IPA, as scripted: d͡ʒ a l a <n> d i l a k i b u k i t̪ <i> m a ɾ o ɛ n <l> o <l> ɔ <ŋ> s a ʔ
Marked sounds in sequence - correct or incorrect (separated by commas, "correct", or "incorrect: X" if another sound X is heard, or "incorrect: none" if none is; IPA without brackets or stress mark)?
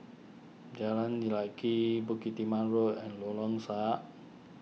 correct, correct, correct, correct, correct